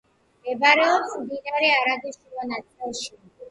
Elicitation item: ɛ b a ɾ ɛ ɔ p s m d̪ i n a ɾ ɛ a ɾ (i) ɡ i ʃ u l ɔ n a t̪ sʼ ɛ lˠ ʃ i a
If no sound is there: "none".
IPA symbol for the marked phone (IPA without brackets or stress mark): a